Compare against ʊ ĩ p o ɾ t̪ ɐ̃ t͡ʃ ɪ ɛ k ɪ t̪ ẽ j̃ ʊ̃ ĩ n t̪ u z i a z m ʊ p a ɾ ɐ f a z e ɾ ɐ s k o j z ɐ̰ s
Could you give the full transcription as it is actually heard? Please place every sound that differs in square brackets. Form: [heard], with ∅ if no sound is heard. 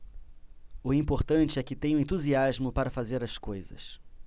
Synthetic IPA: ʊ ĩ p o ɾ t̪ ɐ̃ t͡ʃ ɪ ɛ k ɪ t̪ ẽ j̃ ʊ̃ [ẽ] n t̪ u z i a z m ʊ p a ɾ ɐ f a z e ɾ ɐ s k o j z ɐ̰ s

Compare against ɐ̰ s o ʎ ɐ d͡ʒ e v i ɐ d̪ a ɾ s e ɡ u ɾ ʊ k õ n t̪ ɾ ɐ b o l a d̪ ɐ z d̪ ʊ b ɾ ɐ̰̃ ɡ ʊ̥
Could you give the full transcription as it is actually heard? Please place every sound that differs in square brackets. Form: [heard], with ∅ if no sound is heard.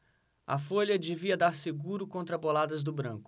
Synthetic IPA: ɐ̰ [f] o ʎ ɐ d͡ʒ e v i ɐ d̪ a ɾ s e ɡ u ɾ ʊ k õ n t̪ ɾ ɐ b o l a d̪ ɐ z d̪ ʊ b ɾ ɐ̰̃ [k] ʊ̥

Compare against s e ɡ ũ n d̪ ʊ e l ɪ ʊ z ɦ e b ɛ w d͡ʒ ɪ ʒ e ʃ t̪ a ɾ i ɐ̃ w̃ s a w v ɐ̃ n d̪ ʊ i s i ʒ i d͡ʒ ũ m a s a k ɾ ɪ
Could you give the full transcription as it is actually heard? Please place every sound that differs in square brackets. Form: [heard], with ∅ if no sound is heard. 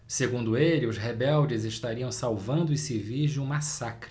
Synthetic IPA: s e ɡ ũ n d̪ ʊ e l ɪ ʊ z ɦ e b ɛ w d͡ʒ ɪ [z] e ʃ t̪ a ɾ i ɐ̃ w̃ s a w v ɐ̃ n d̪ ʊ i s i [v] i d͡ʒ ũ m a s a k ɾ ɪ

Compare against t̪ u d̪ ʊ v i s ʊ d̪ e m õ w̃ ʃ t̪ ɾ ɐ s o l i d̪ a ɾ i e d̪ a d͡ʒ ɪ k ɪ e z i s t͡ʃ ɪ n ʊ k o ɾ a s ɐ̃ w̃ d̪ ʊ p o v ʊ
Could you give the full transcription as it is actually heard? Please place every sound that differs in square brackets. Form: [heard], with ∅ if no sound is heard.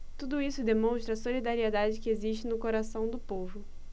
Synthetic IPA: t̪ u d̪ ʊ [∅] i s ʊ d̪ e m õ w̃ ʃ t̪ ɾ ɐ s o l i d̪ a ɾ i e d̪ a d͡ʒ ɪ k ɪ e z i [ʃ] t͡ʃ ɪ n ʊ k o ɾ a s ɐ̃ w̃ d̪ ʊ p o v ʊ

